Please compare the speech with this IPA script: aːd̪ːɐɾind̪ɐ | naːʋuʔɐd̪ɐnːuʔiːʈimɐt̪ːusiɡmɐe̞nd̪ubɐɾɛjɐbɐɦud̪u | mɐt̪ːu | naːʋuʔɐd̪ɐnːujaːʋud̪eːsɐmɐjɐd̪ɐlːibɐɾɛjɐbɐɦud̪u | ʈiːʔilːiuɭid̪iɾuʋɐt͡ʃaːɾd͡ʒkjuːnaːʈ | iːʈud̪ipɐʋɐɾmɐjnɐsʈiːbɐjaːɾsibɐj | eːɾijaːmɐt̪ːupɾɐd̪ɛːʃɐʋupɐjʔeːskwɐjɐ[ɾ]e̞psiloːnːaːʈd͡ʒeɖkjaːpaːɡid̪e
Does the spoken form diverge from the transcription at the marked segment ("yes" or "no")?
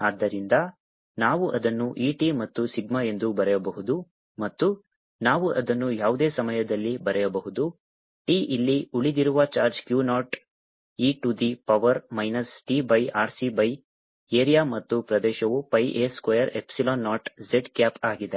no